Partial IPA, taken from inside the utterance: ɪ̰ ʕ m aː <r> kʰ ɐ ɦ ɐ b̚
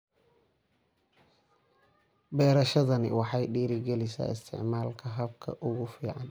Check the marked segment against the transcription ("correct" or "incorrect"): incorrect